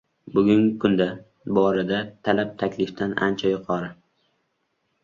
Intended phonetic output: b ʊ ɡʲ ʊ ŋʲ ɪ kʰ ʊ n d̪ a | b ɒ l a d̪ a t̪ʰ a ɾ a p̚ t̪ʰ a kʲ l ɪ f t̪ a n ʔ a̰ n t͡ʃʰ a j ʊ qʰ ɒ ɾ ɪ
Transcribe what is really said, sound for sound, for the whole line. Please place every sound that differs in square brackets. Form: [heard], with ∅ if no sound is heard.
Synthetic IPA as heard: b ʊ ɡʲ ʊ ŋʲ ɪ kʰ ʊ n d̪ a | b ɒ [ɾ] a d̪ a t̪ʰ a [l] a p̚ t̪ʰ a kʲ l ɪ f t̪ a n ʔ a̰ n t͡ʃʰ a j ʊ qʰ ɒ ɾ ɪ